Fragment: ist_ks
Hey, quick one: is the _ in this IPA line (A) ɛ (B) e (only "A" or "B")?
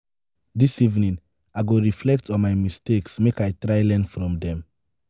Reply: B